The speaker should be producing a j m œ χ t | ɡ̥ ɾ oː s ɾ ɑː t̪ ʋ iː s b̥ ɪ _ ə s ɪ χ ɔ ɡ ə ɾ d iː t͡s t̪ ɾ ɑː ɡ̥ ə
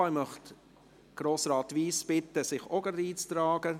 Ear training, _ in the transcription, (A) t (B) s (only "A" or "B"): A